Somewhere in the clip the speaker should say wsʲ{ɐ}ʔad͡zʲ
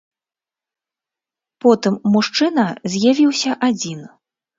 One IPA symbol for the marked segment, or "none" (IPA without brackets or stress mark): ɐ